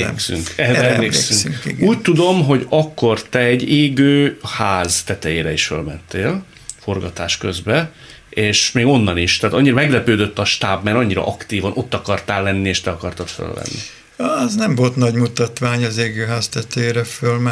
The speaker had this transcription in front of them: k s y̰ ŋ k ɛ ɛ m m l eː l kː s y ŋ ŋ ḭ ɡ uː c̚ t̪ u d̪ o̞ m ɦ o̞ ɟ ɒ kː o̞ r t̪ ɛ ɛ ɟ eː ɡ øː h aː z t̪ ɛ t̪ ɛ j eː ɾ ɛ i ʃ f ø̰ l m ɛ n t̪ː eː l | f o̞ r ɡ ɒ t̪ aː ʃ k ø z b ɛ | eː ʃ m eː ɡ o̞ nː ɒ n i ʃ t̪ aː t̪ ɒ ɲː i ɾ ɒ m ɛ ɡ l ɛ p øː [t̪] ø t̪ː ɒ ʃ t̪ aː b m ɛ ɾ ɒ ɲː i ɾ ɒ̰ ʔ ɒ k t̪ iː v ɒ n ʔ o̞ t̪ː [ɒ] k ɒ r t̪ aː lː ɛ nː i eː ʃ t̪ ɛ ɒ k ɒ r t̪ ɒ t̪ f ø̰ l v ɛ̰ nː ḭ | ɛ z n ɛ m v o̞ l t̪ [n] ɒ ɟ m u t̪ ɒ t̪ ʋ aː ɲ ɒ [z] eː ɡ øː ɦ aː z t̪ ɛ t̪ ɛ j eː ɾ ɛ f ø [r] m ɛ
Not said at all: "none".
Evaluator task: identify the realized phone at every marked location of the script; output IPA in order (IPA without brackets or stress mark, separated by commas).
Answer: d̪, ɒ, n, z, l